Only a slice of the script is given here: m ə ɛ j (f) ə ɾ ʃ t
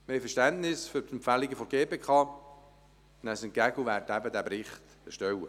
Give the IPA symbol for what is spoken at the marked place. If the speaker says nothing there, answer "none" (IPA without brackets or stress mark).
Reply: f